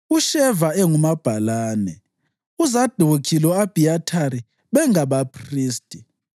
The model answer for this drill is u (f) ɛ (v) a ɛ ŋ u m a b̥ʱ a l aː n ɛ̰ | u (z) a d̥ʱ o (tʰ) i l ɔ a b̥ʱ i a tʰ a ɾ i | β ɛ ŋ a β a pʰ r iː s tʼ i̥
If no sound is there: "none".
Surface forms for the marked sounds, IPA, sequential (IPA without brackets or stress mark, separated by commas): ʃ, v, z, kʰ